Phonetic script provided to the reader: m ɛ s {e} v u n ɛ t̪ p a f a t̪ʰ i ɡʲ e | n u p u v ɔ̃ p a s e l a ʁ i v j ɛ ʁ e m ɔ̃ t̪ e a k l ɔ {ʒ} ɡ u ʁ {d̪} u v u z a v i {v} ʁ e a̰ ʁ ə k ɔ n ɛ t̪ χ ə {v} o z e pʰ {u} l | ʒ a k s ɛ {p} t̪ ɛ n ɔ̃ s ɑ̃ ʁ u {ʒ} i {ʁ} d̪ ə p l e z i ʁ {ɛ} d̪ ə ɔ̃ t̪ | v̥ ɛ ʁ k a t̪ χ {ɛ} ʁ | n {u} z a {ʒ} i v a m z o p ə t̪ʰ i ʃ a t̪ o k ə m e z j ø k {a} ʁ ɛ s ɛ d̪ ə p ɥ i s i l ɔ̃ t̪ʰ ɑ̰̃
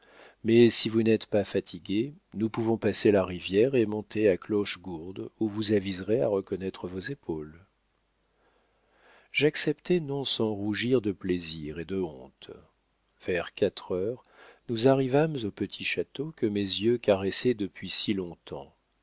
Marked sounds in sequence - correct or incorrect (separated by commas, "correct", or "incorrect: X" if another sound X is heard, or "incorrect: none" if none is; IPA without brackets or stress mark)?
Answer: incorrect: i, incorrect: ʃ, correct, incorrect: z, correct, incorrect: o, correct, correct, correct, incorrect: e, incorrect: œ, correct, incorrect: ʁ, correct